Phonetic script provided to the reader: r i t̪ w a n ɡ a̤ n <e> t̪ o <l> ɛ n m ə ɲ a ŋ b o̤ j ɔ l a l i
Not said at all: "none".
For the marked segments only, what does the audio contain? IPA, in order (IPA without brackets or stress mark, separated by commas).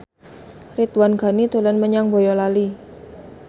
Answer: i, l